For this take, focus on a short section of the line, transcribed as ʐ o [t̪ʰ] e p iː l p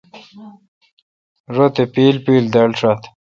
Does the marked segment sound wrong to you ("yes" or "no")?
yes